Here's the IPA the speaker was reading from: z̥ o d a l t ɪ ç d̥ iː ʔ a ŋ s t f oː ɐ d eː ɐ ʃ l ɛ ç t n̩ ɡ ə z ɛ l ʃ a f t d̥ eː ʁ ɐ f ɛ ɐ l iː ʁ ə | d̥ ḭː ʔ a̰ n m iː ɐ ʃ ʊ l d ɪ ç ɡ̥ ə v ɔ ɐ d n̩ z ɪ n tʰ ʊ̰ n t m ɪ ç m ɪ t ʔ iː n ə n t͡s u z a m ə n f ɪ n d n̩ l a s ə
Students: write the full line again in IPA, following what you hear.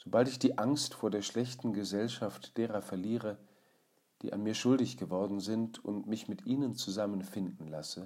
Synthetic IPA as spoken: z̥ o b a l t ɪ ç d̥ iː ʔ a ŋ s t f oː ɐ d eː ɐ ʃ l ɛ ç t n̩ ɡ ə z ɛ l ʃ a f t d̥ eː ʁ ɐ f ɛ ɐ l iː ʁ ə | d̥ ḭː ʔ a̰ n m iː ɐ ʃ ʊ l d ɪ ç ɡ̥ ə v ɔ ɐ d n̩ z ɪ n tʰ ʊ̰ n t m ɪ ç m ɪ t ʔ iː n ə n t͡s u z a m ə n f ɪ n d n̩ l a s ə